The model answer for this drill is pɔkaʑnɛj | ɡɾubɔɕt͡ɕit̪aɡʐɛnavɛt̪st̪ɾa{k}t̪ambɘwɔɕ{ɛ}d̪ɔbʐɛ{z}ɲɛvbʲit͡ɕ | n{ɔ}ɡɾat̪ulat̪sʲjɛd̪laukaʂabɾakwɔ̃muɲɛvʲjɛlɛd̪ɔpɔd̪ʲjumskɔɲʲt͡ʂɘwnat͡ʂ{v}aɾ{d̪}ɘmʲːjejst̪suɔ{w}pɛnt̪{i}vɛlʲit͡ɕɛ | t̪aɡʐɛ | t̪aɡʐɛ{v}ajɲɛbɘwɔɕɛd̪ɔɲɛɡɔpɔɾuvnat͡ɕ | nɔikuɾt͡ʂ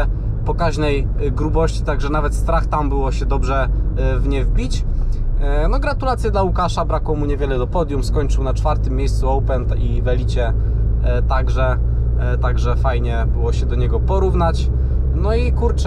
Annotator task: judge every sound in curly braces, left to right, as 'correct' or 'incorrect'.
incorrect: x, correct, incorrect: v, correct, incorrect: f, incorrect: t̪, correct, correct, incorrect: f

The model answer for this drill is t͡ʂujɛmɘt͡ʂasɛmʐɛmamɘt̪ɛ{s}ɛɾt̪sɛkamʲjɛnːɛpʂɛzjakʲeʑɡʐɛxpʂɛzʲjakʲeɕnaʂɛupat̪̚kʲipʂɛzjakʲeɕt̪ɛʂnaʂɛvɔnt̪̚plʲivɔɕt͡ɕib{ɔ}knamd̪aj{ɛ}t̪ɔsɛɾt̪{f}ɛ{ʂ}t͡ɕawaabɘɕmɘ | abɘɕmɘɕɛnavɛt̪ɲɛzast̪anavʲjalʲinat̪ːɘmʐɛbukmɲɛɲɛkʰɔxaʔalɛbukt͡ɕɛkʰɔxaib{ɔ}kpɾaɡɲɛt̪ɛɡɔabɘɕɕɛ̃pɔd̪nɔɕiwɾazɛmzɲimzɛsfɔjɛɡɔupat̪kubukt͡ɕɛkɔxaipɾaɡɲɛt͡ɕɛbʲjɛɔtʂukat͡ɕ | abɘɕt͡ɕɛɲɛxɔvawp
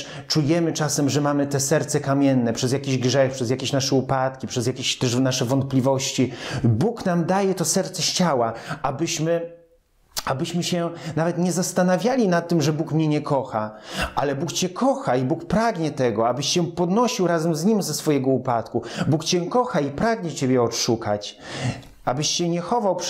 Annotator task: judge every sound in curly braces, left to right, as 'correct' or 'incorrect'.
correct, incorrect: u, correct, incorrect: s, incorrect: ɕ, incorrect: u

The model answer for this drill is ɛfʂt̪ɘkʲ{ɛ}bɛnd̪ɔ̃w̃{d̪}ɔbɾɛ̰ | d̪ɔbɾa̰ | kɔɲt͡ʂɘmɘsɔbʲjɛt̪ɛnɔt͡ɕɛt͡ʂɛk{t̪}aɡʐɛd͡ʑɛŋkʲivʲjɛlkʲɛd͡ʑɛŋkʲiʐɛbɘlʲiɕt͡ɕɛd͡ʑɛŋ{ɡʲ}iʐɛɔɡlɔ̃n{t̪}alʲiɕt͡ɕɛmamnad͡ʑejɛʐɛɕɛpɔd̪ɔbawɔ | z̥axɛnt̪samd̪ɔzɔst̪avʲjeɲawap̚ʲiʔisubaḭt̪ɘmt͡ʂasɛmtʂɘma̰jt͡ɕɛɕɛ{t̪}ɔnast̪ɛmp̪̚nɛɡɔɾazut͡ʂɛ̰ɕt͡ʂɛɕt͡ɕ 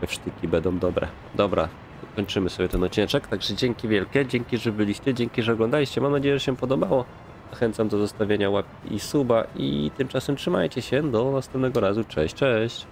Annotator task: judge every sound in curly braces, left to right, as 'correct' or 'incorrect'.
incorrect: i, correct, correct, incorrect: kʲ, incorrect: d̪, incorrect: d̪

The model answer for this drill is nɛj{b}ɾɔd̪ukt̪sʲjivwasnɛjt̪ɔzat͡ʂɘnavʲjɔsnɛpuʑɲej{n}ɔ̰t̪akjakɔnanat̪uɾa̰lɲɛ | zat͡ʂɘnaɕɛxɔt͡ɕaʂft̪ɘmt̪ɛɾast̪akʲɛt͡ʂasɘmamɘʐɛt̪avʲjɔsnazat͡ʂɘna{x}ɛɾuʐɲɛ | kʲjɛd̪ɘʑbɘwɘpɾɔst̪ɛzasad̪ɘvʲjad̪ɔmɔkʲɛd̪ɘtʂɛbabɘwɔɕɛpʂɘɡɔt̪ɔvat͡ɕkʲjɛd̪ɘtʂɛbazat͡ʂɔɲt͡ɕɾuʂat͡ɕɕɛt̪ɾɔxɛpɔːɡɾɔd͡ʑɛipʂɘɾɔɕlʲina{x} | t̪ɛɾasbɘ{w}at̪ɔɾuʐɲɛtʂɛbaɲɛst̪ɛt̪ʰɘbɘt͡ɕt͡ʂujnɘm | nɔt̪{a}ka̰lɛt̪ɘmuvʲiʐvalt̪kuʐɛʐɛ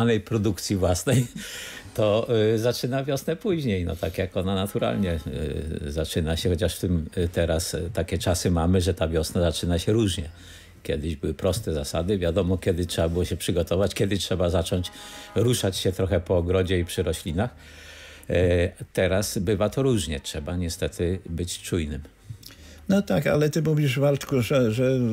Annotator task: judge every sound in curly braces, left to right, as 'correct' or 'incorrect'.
incorrect: p, correct, incorrect: ɕ, correct, incorrect: v, correct

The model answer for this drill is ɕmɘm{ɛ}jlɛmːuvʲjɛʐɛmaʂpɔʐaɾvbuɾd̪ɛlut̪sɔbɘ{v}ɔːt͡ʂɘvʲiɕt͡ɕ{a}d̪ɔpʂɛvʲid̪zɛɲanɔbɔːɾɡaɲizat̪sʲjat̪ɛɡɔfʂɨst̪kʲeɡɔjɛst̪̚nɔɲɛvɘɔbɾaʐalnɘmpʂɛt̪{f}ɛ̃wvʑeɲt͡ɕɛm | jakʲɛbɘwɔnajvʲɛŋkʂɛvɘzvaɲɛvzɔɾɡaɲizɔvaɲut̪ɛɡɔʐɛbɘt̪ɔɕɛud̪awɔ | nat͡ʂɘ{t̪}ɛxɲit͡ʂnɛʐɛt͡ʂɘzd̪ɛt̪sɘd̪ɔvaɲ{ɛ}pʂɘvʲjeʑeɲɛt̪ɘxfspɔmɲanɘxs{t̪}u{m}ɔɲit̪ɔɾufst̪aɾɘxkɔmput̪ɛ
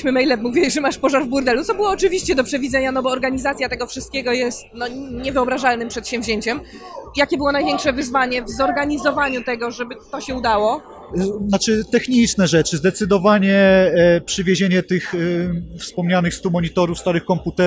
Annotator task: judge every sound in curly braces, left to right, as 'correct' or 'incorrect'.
correct, incorrect: w, incorrect: ɛ, incorrect: ɕ, correct, correct, correct, correct

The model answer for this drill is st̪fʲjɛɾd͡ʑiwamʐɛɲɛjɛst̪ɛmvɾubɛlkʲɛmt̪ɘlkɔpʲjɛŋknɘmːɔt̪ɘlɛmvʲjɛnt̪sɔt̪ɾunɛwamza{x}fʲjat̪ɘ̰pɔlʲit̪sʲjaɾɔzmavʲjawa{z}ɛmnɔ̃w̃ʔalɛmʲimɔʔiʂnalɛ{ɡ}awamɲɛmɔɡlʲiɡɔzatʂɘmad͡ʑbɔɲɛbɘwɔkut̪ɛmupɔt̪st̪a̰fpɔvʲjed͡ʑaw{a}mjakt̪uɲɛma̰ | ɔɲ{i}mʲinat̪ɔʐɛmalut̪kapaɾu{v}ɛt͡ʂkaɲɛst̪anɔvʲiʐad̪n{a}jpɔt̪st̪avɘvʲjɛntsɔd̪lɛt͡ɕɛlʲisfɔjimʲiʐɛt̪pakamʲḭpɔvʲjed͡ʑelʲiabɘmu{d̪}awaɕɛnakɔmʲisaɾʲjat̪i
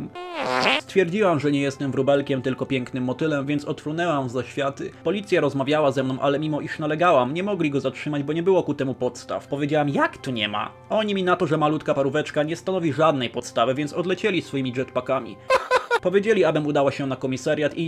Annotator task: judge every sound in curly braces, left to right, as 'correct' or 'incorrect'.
incorrect: ɕ, correct, correct, correct, correct, correct, incorrect: ɛ, correct

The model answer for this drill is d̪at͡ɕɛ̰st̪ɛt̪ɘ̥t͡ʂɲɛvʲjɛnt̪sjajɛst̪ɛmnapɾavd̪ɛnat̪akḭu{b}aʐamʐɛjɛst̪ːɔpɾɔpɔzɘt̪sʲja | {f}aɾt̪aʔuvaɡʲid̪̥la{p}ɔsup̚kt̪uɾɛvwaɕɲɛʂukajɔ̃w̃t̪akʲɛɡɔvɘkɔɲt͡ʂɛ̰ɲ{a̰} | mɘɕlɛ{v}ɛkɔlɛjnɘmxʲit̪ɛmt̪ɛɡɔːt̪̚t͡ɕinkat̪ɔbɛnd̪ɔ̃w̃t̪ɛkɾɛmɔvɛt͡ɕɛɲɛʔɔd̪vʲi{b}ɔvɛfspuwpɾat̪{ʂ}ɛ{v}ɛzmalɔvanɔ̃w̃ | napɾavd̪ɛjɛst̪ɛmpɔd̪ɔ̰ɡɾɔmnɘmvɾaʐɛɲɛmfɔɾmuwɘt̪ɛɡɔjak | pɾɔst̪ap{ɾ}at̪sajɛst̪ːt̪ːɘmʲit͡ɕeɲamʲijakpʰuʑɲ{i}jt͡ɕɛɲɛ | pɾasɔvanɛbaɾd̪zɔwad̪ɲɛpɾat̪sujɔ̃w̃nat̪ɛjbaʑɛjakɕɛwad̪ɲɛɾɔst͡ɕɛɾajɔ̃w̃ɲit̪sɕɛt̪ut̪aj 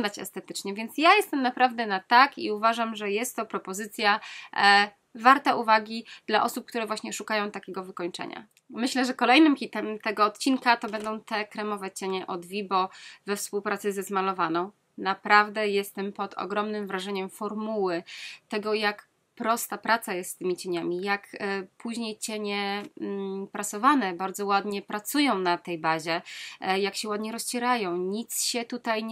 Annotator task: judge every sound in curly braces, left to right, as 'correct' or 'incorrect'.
incorrect: v, incorrect: v, incorrect: ʔ, correct, incorrect: ʐ, correct, incorrect: s, incorrect: z, correct, incorrect: e

